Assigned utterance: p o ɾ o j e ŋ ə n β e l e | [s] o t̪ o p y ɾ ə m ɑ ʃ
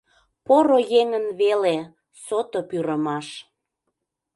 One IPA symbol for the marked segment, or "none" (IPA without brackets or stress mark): s